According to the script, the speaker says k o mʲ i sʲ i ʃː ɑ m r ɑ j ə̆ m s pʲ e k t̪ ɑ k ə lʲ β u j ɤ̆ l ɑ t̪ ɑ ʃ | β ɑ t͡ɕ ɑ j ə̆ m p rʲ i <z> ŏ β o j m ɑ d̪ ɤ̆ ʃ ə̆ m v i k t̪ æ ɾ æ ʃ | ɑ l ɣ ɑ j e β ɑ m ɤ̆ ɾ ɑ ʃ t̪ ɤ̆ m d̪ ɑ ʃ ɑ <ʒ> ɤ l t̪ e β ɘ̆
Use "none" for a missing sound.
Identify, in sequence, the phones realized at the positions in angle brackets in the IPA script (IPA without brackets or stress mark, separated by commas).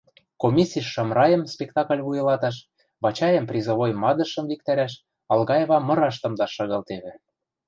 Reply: z, ɣ